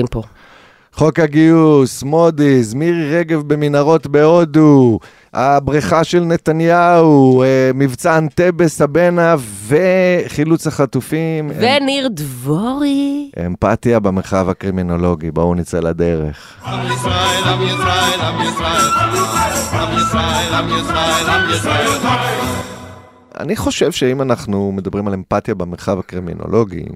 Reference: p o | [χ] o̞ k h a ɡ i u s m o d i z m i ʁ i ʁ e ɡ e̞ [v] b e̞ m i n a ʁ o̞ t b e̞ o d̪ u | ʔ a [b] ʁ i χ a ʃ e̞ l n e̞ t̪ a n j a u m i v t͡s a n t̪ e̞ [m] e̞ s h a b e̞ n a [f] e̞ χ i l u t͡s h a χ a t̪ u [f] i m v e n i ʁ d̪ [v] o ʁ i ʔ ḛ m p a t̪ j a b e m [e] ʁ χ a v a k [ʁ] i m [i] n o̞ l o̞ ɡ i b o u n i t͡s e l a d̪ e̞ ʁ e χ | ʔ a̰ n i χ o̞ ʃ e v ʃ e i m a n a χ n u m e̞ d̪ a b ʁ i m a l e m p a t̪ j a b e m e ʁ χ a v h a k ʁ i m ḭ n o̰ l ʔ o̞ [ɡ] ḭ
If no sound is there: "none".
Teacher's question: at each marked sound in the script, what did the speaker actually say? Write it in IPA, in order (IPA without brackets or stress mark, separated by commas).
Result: χ, v, b, b, v, f, v, e, ʁ, i, ɡ